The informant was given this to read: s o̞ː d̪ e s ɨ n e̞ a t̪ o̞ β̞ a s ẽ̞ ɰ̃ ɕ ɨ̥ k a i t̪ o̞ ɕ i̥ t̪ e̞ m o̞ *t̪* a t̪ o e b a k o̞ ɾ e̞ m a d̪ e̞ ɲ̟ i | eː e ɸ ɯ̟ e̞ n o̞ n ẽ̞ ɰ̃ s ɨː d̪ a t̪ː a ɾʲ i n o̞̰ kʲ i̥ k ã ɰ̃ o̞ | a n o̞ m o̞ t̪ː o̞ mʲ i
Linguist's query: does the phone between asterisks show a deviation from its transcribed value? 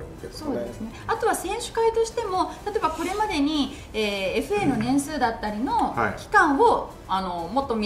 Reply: no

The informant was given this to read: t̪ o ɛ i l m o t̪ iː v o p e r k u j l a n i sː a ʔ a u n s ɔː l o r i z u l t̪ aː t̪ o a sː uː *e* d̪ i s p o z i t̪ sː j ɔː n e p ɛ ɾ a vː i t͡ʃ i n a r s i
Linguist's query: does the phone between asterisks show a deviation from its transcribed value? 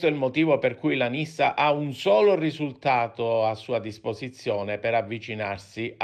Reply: yes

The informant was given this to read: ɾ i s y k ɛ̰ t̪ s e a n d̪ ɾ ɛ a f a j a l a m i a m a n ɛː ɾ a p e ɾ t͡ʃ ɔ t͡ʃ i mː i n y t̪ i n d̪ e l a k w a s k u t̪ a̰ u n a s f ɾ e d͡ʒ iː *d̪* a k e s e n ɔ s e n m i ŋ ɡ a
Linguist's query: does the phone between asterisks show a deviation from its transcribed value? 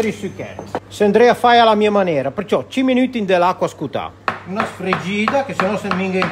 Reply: no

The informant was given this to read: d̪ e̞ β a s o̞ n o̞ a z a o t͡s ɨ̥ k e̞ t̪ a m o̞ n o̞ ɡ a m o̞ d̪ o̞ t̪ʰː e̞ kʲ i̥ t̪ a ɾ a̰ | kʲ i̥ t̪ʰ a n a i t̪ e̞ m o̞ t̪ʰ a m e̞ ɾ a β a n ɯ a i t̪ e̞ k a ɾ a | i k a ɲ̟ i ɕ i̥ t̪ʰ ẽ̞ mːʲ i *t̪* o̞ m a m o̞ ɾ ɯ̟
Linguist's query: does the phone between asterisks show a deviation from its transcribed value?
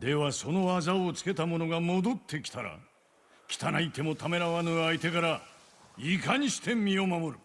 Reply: yes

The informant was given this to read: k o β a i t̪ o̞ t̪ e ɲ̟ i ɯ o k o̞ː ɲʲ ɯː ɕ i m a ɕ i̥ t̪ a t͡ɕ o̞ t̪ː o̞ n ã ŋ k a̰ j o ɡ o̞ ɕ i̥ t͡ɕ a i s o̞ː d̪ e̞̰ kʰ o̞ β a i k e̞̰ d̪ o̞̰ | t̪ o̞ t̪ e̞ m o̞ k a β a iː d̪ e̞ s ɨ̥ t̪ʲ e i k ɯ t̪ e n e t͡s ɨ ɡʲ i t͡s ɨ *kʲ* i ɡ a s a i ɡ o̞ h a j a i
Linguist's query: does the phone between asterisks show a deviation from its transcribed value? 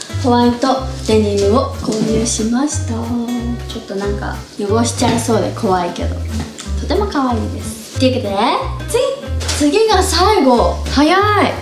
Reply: yes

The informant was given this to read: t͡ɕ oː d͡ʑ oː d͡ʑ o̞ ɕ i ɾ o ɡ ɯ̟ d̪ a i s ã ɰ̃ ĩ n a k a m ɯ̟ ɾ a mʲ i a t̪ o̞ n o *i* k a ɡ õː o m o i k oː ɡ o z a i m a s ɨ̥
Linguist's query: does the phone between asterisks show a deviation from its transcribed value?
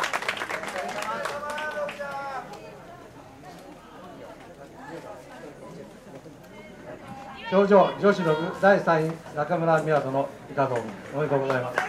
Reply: no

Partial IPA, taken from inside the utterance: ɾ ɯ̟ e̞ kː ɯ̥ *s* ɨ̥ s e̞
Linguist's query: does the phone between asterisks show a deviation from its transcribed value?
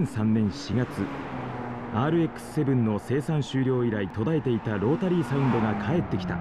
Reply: no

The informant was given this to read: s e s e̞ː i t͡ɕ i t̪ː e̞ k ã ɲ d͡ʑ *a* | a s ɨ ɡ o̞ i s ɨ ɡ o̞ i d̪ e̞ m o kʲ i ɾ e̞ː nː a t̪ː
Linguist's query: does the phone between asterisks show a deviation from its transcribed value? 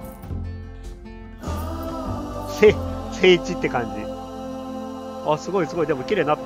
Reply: yes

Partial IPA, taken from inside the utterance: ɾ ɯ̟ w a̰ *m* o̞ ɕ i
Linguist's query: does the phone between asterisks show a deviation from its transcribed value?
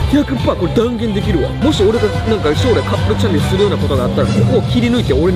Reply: no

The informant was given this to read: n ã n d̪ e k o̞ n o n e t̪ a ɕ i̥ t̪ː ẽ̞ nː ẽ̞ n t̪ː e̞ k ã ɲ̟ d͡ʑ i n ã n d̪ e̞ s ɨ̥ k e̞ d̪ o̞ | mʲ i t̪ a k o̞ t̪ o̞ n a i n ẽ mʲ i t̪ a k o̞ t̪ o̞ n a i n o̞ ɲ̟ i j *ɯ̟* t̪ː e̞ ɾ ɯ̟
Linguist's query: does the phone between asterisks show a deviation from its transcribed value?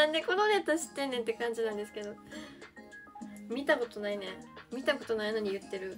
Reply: no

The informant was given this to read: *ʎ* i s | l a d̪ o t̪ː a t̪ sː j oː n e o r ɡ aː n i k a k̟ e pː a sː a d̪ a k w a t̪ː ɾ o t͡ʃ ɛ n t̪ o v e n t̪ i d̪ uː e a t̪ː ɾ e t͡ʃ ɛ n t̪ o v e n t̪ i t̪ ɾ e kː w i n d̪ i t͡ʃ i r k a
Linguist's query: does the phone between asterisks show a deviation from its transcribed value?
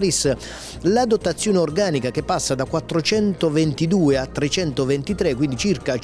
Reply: yes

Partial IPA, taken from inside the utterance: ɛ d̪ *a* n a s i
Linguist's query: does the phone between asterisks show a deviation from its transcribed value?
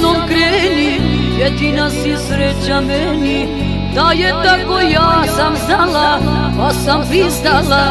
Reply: yes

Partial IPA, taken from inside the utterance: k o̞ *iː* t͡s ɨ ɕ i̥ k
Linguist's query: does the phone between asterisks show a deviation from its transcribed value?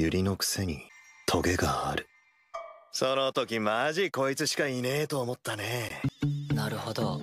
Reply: yes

